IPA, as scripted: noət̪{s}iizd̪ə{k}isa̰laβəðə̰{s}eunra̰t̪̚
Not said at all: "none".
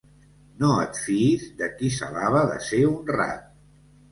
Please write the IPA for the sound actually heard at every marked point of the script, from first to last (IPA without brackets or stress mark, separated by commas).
f, k, s